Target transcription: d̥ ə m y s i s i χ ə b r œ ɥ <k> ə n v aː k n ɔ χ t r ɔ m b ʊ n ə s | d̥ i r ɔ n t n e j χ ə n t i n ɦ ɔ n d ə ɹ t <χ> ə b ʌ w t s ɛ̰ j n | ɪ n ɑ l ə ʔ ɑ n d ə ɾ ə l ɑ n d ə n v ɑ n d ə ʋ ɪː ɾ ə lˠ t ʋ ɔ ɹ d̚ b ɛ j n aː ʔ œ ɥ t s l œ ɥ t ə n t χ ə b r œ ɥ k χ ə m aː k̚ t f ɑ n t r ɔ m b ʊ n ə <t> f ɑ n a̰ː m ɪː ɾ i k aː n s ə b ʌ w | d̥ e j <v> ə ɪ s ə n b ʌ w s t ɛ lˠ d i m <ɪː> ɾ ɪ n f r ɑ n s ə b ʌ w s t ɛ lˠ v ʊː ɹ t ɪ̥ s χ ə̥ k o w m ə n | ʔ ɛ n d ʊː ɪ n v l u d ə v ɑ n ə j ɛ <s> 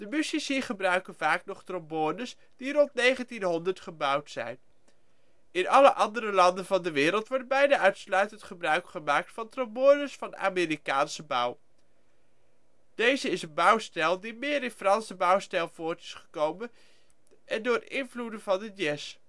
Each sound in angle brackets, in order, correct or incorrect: correct, correct, incorrect: s, incorrect: z, correct, correct

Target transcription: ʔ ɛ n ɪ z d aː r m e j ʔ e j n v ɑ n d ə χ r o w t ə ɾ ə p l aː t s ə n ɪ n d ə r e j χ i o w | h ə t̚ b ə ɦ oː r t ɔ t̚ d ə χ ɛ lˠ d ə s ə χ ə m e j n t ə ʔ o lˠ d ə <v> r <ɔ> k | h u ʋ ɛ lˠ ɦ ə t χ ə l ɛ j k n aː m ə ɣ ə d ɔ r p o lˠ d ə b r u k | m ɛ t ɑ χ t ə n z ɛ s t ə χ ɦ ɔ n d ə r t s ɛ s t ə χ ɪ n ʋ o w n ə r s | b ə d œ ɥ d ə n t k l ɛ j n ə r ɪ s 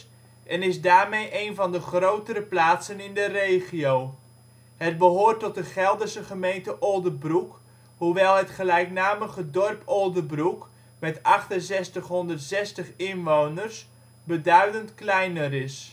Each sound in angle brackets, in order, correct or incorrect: incorrect: b, incorrect: u

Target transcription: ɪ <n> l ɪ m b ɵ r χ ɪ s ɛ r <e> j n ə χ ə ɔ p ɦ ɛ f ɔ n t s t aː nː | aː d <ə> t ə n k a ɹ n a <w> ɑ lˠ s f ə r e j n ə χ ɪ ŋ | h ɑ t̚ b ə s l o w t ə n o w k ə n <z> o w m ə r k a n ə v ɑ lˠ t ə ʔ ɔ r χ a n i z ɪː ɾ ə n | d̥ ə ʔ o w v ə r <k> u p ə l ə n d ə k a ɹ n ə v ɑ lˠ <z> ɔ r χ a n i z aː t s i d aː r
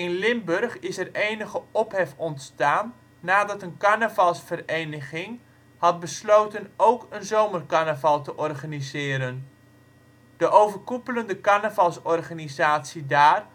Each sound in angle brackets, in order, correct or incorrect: correct, correct, incorrect: ɑ, incorrect: v, correct, correct, incorrect: s

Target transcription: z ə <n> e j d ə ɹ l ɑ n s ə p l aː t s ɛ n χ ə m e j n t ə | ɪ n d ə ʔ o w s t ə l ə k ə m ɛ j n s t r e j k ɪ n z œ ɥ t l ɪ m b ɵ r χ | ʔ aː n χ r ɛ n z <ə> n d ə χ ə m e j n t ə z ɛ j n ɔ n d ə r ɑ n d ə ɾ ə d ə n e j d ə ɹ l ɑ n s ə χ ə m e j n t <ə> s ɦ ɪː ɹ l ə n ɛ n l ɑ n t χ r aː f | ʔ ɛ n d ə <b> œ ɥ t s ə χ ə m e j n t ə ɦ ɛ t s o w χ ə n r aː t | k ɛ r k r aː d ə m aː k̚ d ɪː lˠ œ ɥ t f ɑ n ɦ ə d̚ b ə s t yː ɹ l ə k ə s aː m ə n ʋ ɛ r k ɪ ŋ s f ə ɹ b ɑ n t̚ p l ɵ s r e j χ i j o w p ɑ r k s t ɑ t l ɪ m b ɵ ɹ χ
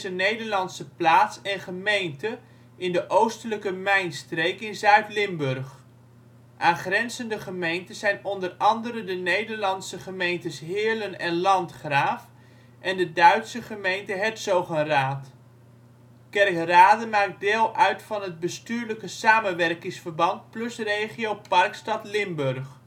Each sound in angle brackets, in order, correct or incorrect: correct, correct, correct, incorrect: d

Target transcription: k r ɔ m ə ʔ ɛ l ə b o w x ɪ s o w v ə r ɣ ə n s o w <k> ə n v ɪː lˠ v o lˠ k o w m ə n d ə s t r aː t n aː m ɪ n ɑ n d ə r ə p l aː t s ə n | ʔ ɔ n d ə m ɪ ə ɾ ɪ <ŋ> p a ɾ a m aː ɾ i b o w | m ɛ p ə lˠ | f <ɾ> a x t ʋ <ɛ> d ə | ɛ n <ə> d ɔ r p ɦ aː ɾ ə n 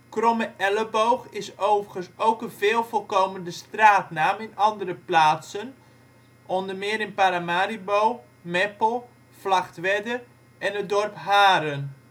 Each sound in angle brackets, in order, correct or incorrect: correct, incorrect: n, incorrect: l, correct, correct

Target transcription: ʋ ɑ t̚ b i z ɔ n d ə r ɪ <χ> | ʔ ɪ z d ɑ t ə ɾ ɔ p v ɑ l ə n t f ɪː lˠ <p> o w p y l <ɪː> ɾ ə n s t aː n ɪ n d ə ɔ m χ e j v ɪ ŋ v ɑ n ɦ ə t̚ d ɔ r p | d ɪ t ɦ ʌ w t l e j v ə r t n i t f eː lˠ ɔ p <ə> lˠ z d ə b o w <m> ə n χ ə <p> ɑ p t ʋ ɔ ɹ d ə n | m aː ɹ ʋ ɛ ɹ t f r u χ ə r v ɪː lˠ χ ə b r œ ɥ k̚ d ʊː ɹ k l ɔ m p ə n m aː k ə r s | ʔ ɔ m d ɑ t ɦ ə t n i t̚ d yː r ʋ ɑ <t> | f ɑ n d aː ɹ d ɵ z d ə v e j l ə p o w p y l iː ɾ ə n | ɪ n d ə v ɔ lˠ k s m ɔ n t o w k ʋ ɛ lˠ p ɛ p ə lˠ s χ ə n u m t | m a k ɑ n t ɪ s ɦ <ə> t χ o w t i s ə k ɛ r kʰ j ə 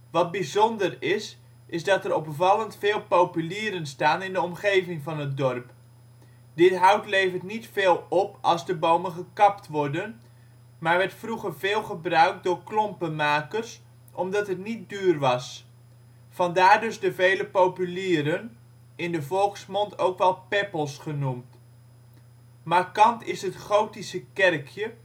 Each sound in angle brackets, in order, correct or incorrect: incorrect: s, correct, incorrect: iː, incorrect: ɑ, correct, incorrect: k, incorrect: s, correct

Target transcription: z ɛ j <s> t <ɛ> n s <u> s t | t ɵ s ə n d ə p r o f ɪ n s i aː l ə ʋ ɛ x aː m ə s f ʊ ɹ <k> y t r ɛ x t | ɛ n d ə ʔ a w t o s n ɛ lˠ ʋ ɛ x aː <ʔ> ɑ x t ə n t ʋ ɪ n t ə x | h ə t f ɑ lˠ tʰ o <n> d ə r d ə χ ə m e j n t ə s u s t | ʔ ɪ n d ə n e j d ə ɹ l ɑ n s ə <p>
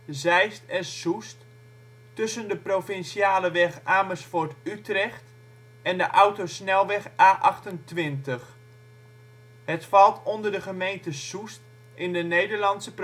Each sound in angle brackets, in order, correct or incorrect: correct, correct, correct, incorrect: t, correct, correct, correct

